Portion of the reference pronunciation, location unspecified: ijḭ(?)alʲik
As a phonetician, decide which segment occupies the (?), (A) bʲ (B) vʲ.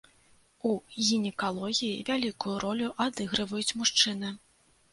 B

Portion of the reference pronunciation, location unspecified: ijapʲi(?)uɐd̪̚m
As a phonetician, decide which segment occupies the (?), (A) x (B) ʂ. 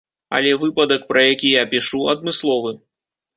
B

